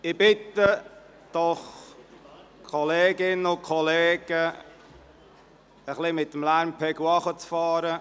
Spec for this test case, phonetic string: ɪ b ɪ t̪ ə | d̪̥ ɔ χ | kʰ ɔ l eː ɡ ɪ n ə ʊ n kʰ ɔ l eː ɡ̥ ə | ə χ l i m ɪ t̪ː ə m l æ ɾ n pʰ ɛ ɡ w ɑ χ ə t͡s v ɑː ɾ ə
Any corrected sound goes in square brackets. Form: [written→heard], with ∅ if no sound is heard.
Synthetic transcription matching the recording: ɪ b ɪ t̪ ə | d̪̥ ɔ χ | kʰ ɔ l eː ɡ ɪ n ə ʊ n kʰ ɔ l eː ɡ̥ ə | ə χ l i m ɪ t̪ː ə m l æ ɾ [n→m] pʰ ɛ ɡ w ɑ χ ə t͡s [v→f] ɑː ɾ ə